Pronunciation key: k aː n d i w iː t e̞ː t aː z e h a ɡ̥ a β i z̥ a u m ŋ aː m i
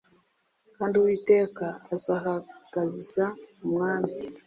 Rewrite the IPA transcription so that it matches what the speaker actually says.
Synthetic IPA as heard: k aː n d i w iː t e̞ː k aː z a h a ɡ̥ a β i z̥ a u m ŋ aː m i